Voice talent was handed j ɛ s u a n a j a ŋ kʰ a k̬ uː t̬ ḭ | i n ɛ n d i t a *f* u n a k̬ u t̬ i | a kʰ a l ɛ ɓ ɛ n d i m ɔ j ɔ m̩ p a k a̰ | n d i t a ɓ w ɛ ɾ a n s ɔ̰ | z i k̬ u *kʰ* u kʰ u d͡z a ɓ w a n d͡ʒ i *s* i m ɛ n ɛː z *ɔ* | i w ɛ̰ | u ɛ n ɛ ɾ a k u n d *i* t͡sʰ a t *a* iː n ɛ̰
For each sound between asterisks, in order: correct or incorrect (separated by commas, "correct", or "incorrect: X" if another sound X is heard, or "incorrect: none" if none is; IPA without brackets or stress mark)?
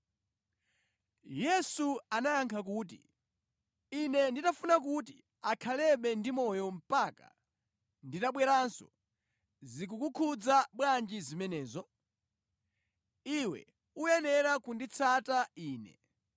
correct, incorrect: k, incorrect: z, correct, correct, correct